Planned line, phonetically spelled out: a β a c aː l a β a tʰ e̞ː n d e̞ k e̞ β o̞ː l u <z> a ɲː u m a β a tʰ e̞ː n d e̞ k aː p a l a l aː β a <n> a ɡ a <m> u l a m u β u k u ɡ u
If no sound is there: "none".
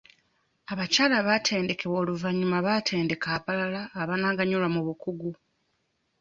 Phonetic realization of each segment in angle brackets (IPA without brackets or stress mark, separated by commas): v, n, ɲ